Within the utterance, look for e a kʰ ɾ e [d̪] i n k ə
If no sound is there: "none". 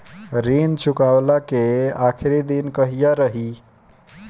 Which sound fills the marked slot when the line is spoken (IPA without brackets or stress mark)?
d̪